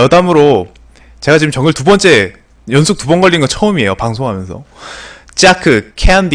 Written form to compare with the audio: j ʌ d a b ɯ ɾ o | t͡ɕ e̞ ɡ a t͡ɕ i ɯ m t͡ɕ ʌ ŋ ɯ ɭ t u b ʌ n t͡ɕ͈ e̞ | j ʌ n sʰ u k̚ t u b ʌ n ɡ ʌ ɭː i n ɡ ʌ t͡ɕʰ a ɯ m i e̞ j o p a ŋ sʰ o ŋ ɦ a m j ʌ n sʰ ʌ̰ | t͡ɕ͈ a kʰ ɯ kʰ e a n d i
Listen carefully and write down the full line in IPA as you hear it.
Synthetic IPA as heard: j ʌ d a m ɯ ɾ o | t͡ɕ e̞ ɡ a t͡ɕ i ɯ m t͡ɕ ʌ ŋ ɯ ɭ t u b ʌ n t͡ɕ͈ e̞ | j ʌ n sʰ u k̚ t u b ʌ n ɡ ʌ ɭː i n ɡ ʌ t͡ɕʰ ʌ ɯ m i e̞ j o p a ŋ sʰ o ŋ ɦ a m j ʌ n sʰ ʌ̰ | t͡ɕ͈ a kʰ ɯ kʰ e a n d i